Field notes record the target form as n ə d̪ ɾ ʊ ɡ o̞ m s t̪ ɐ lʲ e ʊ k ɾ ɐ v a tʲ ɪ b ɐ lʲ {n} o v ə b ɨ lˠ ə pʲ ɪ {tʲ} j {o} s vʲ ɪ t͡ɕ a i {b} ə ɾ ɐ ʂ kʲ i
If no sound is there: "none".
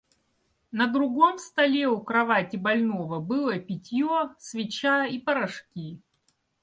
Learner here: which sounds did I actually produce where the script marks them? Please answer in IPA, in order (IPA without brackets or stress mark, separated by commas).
n, tʲ, o, p